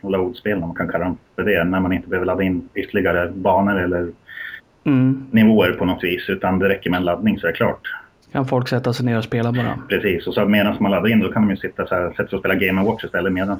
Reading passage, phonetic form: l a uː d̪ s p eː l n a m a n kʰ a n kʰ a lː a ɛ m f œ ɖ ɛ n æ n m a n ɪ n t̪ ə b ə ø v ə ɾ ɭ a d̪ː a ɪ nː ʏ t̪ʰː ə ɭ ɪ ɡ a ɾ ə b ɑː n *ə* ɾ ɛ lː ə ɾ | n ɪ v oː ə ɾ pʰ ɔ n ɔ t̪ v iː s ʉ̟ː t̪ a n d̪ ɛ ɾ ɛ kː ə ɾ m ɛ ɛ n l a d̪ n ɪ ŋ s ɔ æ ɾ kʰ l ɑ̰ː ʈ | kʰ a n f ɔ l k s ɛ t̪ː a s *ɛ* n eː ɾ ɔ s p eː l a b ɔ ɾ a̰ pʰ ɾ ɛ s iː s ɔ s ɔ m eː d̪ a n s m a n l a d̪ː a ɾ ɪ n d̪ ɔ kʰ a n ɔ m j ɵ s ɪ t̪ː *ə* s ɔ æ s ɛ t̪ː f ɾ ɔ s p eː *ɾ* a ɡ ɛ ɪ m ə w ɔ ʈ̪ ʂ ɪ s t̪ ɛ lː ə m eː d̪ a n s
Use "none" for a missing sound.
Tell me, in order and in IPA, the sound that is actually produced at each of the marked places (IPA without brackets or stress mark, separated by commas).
ə, ɛ, a, l